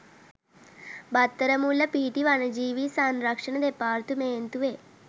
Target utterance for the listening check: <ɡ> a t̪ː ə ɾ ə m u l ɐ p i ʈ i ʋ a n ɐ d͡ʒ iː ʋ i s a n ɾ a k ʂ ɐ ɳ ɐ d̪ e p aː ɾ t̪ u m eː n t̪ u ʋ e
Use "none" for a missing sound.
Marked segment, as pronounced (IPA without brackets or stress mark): b